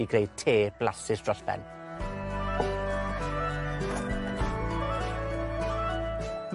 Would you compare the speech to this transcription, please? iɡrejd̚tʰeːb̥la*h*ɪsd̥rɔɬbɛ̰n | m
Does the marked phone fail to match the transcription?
yes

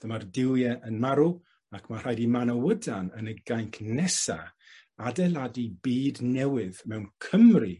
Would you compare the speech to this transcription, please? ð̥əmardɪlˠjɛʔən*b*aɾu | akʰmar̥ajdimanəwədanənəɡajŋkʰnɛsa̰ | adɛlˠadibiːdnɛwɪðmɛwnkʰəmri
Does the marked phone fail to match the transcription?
yes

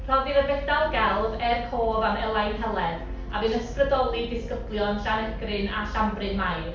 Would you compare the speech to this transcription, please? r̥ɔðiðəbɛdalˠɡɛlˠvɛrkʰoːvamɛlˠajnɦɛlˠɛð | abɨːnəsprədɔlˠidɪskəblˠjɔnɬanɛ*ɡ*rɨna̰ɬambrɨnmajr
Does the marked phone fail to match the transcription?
no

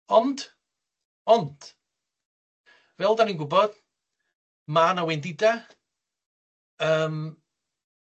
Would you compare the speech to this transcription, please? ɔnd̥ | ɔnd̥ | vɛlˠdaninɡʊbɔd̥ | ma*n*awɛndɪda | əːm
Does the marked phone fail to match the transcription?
no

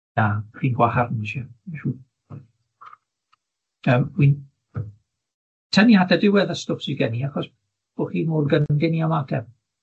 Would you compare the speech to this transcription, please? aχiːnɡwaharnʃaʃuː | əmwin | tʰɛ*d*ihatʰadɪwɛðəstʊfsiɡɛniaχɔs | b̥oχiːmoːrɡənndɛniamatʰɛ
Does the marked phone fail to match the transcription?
yes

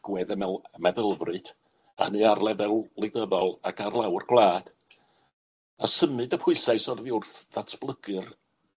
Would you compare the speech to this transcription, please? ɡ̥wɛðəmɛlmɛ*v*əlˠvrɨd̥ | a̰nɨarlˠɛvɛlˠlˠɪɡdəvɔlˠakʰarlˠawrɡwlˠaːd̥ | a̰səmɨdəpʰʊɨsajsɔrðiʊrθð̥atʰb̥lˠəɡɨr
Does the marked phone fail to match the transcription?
yes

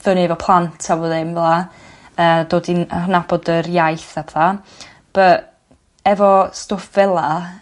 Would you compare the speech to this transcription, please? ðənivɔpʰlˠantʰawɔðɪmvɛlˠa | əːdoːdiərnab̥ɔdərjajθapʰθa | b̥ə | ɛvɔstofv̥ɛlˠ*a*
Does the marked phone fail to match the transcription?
no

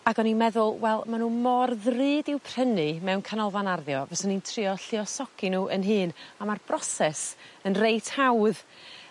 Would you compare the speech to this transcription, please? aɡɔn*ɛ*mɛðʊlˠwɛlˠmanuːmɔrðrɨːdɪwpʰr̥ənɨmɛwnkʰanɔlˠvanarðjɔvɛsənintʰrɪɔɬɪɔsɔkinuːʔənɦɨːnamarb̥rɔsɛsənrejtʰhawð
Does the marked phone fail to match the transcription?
yes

